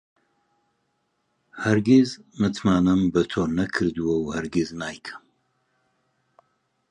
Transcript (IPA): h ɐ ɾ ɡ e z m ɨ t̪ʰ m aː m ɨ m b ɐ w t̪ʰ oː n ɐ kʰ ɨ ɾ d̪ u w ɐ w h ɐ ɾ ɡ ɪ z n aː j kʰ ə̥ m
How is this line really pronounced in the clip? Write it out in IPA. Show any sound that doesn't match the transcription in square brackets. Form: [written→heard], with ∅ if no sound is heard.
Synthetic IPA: h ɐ ɾ ɡ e z m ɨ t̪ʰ m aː [m→n] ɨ m b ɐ [w→∅] t̪ʰ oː n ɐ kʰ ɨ ɾ d̪ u w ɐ w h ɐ ɾ ɡ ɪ z n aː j kʰ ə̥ m